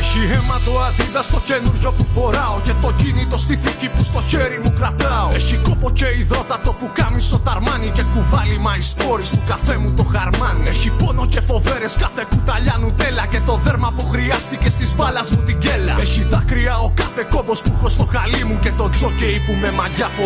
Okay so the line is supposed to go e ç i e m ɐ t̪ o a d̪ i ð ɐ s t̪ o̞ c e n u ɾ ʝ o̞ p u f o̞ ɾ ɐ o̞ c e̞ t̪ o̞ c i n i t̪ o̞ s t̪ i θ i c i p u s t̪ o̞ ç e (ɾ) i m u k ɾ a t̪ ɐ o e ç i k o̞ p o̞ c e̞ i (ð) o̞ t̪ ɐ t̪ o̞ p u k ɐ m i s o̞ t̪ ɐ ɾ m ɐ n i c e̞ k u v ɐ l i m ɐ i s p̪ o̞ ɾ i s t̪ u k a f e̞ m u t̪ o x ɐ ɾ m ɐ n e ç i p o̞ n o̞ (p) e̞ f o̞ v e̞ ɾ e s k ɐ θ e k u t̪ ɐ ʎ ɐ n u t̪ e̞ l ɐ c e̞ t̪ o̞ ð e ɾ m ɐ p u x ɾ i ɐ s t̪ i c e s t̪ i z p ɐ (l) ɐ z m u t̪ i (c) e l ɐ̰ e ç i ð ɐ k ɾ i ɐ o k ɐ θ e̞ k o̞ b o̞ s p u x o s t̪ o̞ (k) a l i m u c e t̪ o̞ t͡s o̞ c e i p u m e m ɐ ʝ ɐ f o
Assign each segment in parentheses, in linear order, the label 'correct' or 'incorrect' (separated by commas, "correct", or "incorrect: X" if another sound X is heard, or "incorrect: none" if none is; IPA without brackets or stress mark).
correct, correct, incorrect: c, correct, incorrect: ɟ, incorrect: x